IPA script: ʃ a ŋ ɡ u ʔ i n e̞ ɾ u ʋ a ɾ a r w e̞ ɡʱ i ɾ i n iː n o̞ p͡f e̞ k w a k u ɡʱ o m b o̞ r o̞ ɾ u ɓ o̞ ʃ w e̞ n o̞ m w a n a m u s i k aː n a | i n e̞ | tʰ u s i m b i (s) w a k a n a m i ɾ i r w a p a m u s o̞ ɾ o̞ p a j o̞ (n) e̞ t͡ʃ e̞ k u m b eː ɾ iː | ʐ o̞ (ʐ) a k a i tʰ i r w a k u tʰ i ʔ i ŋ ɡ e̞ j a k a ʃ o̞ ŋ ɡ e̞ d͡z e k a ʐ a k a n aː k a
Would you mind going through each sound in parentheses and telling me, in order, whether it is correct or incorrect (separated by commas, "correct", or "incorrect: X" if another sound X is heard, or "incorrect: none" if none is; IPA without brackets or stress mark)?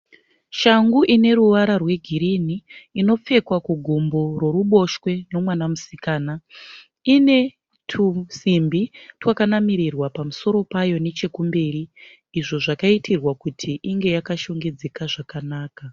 incorrect: t, correct, correct